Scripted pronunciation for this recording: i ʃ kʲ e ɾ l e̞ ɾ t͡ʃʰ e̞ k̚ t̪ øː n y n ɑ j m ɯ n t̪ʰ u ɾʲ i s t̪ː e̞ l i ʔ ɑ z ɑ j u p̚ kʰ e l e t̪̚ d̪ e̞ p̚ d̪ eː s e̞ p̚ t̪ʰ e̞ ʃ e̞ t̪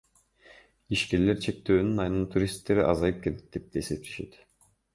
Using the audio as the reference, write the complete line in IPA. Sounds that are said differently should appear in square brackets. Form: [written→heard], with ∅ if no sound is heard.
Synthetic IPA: i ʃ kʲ e ɾ l e̞ ɾ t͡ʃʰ e̞ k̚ t̪ øː n y n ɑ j [m→n] ɯ n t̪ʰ u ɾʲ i s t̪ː e̞ [l→ɾ] i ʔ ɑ z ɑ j [u→ɯ] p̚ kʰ e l e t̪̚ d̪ e̞ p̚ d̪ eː s e̞ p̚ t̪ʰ e̞ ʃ e̞ t̪